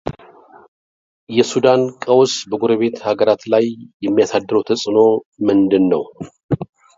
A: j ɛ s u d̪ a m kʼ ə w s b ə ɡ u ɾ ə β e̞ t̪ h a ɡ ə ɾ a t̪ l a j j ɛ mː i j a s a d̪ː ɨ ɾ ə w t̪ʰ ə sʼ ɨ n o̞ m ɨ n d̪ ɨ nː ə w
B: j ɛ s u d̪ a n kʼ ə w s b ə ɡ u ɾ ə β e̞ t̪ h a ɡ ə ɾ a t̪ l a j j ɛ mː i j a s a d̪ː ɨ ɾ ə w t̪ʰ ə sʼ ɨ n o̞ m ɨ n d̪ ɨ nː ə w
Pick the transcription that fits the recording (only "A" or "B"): B